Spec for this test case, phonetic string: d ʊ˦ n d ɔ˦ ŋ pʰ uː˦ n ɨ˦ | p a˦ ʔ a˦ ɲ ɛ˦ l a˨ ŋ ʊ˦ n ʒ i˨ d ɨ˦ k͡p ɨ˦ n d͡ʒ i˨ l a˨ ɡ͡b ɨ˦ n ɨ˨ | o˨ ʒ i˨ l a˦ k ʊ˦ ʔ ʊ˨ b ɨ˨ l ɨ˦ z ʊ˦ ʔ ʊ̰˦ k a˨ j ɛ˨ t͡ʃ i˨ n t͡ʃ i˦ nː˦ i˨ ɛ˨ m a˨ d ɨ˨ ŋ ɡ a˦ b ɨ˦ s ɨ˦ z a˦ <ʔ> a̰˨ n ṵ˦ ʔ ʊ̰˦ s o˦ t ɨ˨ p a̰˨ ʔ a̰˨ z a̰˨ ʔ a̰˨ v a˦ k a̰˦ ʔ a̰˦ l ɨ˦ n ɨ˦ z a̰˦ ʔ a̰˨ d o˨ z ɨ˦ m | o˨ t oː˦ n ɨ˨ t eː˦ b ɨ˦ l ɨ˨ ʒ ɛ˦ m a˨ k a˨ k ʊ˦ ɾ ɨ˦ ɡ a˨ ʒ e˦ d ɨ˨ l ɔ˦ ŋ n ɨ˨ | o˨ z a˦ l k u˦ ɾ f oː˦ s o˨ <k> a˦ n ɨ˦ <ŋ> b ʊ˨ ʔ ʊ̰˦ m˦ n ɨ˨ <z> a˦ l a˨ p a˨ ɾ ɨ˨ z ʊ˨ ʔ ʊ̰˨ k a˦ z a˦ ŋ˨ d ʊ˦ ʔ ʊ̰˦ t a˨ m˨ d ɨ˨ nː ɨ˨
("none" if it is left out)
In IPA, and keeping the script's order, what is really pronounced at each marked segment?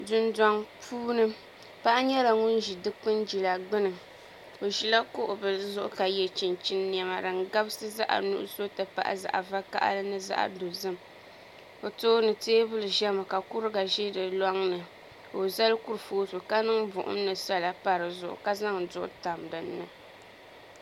ʔ, k, ŋ, s

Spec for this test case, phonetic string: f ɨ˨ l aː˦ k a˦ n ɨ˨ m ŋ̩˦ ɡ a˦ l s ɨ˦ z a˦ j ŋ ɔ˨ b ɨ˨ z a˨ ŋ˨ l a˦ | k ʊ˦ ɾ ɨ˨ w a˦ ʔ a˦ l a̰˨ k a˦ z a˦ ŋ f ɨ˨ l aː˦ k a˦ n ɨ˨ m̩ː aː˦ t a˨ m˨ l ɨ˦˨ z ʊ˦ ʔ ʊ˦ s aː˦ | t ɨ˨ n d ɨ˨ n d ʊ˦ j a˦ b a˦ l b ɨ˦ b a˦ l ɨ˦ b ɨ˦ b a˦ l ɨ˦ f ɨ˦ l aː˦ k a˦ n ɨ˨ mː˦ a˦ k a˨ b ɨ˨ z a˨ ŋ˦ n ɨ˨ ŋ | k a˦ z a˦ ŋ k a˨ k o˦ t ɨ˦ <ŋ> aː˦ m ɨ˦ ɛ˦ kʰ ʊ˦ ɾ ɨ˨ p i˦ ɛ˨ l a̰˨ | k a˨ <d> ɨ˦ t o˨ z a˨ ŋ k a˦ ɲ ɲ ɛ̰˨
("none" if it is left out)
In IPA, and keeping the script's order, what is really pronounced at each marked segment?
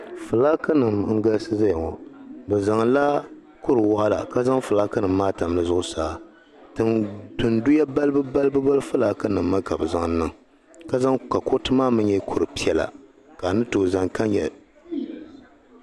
m, n

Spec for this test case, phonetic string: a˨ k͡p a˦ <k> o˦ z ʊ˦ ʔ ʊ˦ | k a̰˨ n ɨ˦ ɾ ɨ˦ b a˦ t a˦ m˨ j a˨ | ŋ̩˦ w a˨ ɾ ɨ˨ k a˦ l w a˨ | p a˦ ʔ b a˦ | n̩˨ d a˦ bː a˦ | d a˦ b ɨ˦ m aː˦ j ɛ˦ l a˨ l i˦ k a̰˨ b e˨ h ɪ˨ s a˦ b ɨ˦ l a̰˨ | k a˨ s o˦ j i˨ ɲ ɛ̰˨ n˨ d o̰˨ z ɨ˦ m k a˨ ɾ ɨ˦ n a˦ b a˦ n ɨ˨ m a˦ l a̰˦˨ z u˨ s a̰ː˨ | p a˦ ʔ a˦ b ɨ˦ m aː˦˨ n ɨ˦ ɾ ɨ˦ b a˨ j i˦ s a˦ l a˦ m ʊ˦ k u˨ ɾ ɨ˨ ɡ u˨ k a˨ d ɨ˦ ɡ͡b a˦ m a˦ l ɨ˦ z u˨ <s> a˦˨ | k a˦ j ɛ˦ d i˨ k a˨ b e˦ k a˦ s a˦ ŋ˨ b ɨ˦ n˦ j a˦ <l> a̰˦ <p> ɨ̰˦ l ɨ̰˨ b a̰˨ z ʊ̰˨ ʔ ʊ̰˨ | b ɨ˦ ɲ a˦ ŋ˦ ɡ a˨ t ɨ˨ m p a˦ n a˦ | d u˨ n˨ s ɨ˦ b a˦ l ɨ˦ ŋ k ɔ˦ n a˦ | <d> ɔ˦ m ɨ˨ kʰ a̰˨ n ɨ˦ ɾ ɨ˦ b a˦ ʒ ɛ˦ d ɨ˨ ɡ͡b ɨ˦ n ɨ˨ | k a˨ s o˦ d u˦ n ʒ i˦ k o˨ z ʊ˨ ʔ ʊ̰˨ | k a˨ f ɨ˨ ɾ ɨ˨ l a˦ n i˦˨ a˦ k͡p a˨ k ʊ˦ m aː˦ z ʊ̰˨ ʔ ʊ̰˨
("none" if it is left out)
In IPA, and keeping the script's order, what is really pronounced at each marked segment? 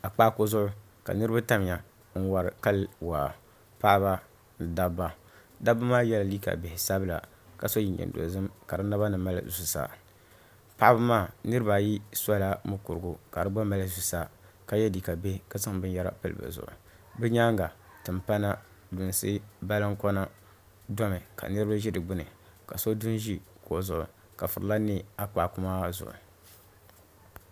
k, s, ɾ, p, d

